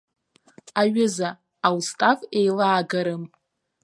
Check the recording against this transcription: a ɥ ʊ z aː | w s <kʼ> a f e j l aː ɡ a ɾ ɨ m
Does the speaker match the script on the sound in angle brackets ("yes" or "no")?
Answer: no